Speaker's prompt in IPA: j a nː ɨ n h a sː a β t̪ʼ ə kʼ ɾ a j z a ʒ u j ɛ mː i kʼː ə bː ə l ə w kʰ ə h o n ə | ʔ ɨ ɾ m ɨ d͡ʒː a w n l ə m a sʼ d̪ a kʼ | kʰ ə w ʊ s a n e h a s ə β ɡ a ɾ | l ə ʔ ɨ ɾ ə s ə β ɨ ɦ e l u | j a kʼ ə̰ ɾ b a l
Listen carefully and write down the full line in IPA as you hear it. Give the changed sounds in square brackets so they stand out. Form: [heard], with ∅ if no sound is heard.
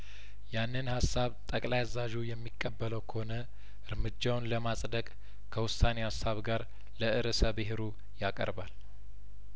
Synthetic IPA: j a nː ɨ n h a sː a β t̪ʼ ə kʼ [l] a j z a ʒ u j ɛ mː i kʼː ə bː ə l ə w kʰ ə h o n ə | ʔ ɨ ɾ m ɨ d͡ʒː a w n l ə m a sʼ d̪ [ə] kʼ | kʰ ə w ʊ s a n e h a s [a] β ɡ a ɾ | l ə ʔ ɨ ɾ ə s ə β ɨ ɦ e [ɾ] u | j a kʼ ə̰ ɾ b a l